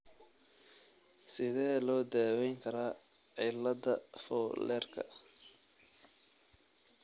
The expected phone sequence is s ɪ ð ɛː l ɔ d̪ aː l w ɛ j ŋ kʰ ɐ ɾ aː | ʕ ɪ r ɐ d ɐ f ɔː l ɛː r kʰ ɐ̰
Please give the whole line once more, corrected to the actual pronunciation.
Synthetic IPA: s ɪ ð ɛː l ɔː d̪ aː w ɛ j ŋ kʰ ɐ ɾ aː | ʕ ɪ l ɐ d ɐ f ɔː l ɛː r kʰ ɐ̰